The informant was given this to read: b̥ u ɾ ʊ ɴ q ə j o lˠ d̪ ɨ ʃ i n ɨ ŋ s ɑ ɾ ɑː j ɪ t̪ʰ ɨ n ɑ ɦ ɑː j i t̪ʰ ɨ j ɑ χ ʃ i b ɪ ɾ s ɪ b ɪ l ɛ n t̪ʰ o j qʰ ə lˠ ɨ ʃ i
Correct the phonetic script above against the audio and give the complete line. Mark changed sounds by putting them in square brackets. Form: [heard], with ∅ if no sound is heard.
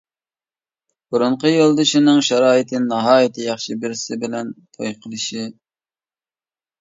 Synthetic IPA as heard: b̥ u ɾ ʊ ɴ q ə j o lˠ d̪ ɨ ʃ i n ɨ ŋ [ʃ] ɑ ɾ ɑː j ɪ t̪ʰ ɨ n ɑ ɦ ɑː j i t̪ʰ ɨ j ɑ χ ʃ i b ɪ ɾ s ɪ b ɪ l ɛ n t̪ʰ o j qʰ ə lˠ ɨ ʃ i